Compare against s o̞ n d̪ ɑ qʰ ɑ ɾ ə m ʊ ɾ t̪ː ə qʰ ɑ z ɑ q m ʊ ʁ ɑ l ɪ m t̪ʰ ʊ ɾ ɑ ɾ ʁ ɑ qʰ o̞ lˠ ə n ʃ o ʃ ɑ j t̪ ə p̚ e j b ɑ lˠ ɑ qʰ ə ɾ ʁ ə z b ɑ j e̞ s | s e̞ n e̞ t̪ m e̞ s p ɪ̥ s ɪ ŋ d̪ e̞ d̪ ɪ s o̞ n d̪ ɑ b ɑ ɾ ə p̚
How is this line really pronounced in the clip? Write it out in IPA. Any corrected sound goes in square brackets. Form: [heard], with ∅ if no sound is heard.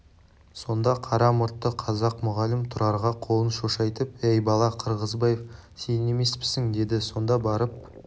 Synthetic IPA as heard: s o̞ n d̪ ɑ qʰ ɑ ɾ [ɑ] m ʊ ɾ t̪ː ə qʰ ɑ z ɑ q m ʊ ʁ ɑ l ɪ m t̪ʰ ʊ ɾ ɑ ɾ ʁ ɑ qʰ o̞ lˠ ə n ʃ o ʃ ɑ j t̪ ə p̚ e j b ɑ lˠ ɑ qʰ ə ɾ ʁ ə z b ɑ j e̞ [f] | s e̞ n e̞ [∅] m e̞ s p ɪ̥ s ɪ ŋ d̪ e̞ d̪ ɪ s o̞ n d̪ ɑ b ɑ ɾ ə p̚

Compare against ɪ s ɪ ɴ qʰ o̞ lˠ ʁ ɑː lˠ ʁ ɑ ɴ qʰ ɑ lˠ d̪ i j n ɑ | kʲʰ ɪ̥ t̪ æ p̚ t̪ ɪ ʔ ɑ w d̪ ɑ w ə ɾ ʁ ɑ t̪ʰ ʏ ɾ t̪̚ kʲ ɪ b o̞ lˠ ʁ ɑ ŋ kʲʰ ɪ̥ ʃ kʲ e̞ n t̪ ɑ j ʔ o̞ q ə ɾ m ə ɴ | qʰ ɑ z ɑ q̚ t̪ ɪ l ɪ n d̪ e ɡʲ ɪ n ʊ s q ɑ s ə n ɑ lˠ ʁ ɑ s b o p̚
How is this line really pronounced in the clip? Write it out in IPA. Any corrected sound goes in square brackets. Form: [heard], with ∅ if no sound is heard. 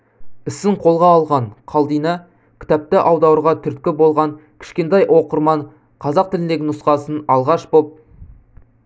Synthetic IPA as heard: ɪ s ɪ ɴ qʰ o̞ lˠ ʁ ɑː lˠ ʁ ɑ ɴ qʰ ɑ lˠ d̪ i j n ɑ | kʲʰ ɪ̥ t̪ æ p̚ t̪ ɪ ʔ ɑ w d̪ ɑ w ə ɾ ʁ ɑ t̪ʰ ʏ ɾ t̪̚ kʲ ɪ b o̞ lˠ ʁ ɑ ŋ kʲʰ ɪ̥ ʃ kʲ e̞ n t̪ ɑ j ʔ o̞ q ə ɾ m [ɑ] ɴ | qʰ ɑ z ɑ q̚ t̪ ɪ l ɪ n d̪ e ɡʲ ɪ n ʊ s q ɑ s ə n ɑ lˠ ʁ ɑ [ʃ] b o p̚

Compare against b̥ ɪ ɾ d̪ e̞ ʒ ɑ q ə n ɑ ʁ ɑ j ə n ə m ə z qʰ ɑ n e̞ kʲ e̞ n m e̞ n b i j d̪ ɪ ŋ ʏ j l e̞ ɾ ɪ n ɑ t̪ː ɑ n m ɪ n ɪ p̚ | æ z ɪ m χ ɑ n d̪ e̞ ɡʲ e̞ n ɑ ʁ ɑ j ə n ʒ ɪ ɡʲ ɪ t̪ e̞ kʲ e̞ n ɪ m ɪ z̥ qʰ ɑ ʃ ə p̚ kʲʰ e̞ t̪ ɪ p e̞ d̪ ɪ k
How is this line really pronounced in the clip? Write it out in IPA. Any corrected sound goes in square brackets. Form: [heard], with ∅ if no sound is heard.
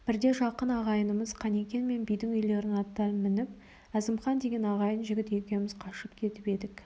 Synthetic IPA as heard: b̥ ɪ ɾ d̪ e̞ ʒ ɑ q ə n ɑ ʁ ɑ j ə n ə m ə z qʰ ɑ n e̞ kʲ e̞ n m e̞ n b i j d̪ ɪ ŋ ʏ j l e̞ ɾ ɪ n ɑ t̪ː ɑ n m ɪ n ɪ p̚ | æ z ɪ m χ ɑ n d̪ e̞ ɡʲ e̞ n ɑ ʁ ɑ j ə n ʒ ɪ ɡʲ ɪ t̪ e̞ kʲ e̞ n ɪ m ɪ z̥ qʰ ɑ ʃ ə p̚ kʲʰ e̞ t̪ ɪ p e̞ d̪ ɪ k

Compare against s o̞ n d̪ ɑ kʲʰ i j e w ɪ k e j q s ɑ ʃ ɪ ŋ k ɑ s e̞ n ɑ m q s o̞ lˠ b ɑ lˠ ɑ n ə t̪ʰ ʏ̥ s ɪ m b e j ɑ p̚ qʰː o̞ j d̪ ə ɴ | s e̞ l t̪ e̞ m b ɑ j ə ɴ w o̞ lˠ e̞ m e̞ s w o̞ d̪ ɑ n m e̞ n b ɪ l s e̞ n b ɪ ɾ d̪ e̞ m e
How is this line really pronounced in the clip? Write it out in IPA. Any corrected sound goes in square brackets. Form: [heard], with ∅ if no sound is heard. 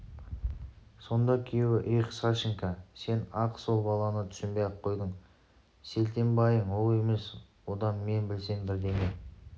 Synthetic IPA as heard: s o̞ n d̪ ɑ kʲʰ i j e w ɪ [ʔ] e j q s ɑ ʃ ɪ ŋ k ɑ s e̞ n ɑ [∅] q s o̞ lˠ b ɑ lˠ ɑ n ə t̪ʰ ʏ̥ s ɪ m b e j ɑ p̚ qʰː o̞ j d̪ ə ɴ | s e̞ l t̪ e̞ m b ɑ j ə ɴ w o̞ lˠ e̞ m e̞ s w o̞ d̪ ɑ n m e̞ n b ɪ l s e̞ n b ɪ ɾ d̪ e̞ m e

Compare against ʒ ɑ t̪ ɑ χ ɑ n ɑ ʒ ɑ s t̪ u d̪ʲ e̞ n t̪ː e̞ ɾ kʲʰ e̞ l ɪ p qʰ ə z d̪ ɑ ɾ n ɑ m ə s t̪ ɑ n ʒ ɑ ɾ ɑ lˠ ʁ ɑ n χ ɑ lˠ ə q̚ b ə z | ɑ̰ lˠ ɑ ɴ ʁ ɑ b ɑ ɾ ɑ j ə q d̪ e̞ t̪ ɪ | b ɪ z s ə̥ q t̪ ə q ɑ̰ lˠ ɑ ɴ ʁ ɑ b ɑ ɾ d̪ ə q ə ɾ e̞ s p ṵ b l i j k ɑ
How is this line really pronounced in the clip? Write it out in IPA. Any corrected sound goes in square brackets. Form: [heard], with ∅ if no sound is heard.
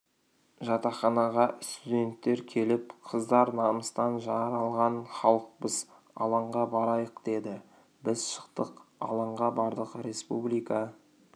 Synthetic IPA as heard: ʒ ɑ t̪ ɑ χ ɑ n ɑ [ʁ] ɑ s t̪ u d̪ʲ e̞ n t̪ː e̞ ɾ kʲʰ e̞ l ɪ p qʰ ə z d̪ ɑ ɾ n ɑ m ə s t̪ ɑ n ʒ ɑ ɾ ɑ lˠ ʁ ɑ n χ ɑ lˠ ə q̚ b ə z | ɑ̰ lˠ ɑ ɴ ʁ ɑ b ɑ ɾ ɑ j ə q d̪ e̞ [d̪] ɪ | b ɪ z [ʃ] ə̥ q t̪ ə q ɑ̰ lˠ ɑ ɴ ʁ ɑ b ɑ ɾ d̪ ə q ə ɾ e̞ s p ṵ b l i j k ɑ

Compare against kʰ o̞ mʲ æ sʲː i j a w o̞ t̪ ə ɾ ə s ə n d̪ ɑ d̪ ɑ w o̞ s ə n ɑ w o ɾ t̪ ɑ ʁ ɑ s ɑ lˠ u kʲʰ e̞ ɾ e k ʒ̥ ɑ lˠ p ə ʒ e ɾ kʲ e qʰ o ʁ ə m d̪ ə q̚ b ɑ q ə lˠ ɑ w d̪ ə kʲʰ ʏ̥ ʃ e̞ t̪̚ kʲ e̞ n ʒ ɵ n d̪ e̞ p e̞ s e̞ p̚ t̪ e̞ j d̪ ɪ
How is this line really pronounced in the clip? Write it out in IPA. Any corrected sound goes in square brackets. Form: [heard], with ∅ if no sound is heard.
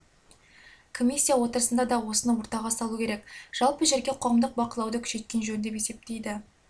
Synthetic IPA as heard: kʰ o̞ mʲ [i] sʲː i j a w o̞ t̪ ə ɾ ə s ə n d̪ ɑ d̪ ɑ w o̞ s ə n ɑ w o ɾ t̪ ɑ ʁ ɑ s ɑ lˠ u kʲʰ e̞ ɾ e k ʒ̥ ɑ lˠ p ə ʒ e ɾ [ɡʲ] e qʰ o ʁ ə m d̪ ə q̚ b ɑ q ə lˠ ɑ w d̪ ə kʲʰ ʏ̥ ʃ e̞ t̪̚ kʲ e̞ n ʒ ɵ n d̪ e̞ p e̞ s e̞ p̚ t̪ e̞ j d̪ ɪ

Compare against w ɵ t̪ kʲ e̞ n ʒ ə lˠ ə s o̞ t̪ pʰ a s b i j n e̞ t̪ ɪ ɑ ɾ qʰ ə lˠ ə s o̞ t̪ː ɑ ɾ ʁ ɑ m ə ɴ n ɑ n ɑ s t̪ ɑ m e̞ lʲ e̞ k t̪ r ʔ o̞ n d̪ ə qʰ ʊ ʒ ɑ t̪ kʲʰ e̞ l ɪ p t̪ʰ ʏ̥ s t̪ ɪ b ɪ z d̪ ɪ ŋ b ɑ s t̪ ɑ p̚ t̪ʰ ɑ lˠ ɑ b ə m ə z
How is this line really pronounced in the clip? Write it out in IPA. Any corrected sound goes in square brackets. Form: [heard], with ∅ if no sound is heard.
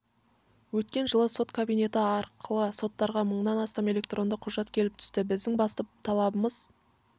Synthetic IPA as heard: w ɵ t̪ kʲ e̞ n ʒ ə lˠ ə s o̞ t̪ [kʰ] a [∅] b i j n e̞ t̪ ɪ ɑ ɾ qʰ ə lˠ ə s o̞ t̪ː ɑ ɾ ʁ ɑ m ə ɴ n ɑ n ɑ s t̪ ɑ m e̞ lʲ e̞ k t̪ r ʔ o̞ n d̪ ə qʰ ʊ ʒ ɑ t̪ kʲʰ e̞ l ɪ p t̪ʰ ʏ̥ s t̪ ɪ b ɪ z d̪ ɪ ŋ b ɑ s t̪ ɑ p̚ t̪ʰ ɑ lˠ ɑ b ə m ə z

